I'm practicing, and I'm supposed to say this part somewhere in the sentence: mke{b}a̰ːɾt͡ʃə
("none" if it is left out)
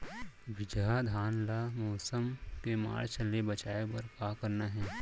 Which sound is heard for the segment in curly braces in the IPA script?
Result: m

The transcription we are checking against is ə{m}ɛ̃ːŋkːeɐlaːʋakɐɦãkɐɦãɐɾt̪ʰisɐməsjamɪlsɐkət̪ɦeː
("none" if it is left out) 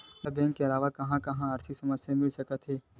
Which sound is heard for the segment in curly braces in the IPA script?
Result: b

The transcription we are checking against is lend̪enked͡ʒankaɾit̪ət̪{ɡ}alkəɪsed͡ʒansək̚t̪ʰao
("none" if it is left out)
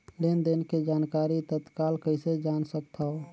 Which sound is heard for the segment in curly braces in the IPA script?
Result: k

